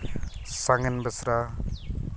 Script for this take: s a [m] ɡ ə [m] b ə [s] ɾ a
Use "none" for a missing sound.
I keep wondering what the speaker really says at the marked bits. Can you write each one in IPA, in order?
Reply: ŋ, n, s

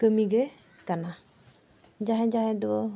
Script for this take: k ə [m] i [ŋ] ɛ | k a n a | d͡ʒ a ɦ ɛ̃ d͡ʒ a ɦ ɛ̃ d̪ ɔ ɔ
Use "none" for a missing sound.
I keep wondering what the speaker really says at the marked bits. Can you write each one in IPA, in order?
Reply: m, ɡ

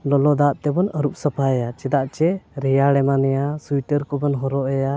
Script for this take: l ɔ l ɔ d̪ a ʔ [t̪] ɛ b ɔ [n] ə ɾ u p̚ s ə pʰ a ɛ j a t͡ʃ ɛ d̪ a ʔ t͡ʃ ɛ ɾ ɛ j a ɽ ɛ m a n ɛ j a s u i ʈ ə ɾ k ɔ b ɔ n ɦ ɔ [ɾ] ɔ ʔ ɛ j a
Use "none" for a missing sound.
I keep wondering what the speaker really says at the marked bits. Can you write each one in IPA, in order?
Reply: t̪, n, ɾ

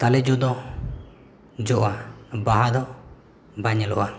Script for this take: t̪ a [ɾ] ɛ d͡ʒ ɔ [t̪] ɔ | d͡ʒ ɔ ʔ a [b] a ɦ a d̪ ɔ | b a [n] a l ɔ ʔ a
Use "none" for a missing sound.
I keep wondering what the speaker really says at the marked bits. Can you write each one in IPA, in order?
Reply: l, d̪, b, ɲ

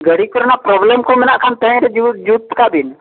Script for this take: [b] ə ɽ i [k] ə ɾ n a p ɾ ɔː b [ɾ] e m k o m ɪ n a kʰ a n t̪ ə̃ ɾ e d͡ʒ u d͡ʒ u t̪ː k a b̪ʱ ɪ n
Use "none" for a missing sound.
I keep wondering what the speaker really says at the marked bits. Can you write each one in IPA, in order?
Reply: ɡ, k, l

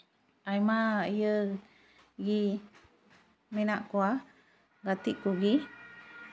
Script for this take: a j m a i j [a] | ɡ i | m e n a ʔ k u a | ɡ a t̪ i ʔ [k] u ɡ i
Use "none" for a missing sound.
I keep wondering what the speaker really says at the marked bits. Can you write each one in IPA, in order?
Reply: ə, k

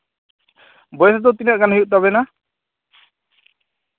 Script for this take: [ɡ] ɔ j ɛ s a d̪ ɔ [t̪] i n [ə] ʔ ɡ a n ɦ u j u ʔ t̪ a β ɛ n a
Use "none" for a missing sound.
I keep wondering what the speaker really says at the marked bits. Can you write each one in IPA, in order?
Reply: b, t̪, a

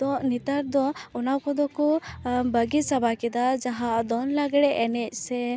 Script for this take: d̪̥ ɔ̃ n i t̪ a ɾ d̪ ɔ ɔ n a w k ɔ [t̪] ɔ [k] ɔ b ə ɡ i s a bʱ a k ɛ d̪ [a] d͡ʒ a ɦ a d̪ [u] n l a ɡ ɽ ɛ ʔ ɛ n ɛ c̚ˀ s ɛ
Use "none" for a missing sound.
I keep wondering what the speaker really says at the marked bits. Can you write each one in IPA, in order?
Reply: d̪, k, a, ɔ

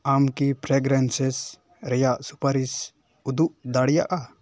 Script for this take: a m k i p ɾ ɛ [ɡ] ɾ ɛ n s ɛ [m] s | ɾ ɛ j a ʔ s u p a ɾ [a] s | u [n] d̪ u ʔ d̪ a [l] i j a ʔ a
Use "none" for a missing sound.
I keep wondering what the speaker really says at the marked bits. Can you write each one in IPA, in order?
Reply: ɡ, none, i, none, ɽ

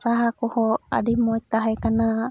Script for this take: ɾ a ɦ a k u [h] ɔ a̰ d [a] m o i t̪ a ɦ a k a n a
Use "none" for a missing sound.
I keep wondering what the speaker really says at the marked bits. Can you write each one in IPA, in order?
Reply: h, i

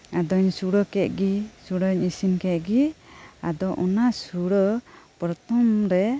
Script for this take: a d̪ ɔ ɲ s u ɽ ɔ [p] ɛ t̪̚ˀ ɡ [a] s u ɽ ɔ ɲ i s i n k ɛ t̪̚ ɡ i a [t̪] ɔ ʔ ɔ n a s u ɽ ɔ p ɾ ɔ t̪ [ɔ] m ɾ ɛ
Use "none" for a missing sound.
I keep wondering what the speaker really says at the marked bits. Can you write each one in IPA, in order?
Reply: k, i, d̪, ɔ

